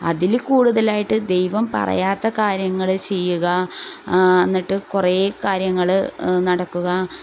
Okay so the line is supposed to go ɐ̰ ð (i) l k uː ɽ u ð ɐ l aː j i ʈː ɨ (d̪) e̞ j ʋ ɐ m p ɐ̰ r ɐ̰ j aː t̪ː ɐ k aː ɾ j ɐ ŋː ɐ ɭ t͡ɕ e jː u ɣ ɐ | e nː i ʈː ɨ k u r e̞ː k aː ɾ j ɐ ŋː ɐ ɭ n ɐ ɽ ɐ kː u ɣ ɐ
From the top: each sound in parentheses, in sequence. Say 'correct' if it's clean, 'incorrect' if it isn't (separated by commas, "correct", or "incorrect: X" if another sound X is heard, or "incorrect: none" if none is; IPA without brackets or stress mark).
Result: correct, correct